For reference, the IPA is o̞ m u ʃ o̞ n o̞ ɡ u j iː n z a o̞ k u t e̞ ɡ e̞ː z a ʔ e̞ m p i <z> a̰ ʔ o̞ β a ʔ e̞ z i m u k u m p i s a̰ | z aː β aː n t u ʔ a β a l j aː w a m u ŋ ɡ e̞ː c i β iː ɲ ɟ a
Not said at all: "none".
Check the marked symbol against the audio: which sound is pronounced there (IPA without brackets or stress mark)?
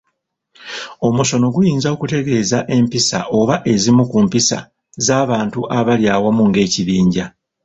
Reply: s